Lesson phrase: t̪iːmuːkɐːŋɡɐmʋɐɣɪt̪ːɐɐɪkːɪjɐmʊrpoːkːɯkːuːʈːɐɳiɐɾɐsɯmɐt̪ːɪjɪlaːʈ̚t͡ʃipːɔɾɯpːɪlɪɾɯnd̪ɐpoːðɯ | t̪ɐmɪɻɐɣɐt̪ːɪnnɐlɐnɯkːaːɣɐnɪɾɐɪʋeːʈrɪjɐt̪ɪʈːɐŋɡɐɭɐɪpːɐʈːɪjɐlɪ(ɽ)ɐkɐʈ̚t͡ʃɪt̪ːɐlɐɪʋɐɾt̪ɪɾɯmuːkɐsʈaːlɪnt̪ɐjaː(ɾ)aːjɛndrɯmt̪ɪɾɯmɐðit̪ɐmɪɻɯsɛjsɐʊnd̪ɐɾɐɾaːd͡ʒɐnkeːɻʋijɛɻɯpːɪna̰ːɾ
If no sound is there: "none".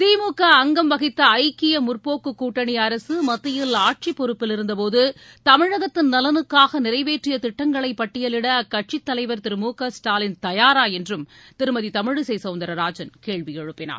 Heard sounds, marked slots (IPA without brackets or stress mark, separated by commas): ɽ, ɾ